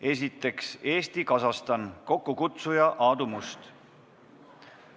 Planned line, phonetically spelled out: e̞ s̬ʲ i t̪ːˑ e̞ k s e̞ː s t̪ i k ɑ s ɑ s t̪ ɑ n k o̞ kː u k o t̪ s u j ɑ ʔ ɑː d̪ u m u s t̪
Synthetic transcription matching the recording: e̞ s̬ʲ i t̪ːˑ e̞ k s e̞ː s t̪ i k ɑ s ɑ s t̪ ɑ n k o̞ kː u k u t̪ s u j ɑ ʔ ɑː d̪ u m u s t̪